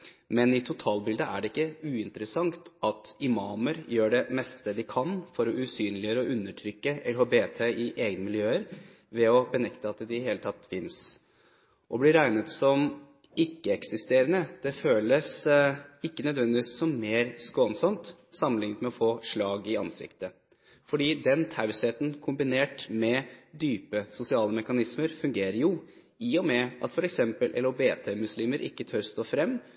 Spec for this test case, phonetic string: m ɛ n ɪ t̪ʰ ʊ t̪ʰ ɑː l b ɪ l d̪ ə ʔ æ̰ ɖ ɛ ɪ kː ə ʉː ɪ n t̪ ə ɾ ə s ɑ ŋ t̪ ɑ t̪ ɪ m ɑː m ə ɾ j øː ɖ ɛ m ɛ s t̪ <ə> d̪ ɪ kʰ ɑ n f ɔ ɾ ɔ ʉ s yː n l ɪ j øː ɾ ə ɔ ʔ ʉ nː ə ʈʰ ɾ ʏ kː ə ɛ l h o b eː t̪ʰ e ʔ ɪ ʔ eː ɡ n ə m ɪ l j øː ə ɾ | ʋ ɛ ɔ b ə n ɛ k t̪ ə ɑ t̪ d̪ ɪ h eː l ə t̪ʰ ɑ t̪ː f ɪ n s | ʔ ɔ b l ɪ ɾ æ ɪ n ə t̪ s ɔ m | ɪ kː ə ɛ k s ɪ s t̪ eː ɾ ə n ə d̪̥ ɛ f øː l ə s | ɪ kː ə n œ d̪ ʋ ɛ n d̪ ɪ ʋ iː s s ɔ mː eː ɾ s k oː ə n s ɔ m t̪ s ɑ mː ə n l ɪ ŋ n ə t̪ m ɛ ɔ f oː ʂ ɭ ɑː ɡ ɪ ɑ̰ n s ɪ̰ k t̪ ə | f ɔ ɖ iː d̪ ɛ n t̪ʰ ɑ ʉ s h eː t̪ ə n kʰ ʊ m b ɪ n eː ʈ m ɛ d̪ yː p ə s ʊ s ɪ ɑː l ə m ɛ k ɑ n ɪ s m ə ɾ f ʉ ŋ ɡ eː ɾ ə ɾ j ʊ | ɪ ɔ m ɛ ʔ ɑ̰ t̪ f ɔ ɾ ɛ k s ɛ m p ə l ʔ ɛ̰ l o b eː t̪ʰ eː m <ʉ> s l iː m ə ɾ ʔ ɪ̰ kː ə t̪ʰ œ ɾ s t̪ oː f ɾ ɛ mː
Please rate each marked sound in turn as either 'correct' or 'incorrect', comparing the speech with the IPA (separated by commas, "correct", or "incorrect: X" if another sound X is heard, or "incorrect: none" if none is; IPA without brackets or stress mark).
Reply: correct, correct